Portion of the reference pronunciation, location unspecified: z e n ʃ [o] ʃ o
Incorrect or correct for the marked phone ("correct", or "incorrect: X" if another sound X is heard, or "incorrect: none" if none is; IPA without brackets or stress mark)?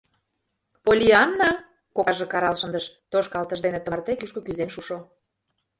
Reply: incorrect: u